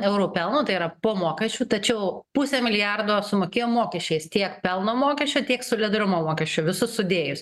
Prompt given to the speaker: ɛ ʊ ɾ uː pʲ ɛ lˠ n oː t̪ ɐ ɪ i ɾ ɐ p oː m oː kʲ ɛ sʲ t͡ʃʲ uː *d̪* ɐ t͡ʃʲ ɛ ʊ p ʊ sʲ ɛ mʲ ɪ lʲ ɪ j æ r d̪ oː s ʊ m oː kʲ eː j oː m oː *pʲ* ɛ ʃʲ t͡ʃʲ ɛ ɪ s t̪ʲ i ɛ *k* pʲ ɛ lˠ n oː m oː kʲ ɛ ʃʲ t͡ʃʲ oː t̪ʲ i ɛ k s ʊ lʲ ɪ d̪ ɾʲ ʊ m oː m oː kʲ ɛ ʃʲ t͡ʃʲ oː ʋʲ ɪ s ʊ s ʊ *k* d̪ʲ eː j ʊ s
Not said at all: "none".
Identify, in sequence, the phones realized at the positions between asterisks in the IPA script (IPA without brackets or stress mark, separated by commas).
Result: t̪, kʲ, k, none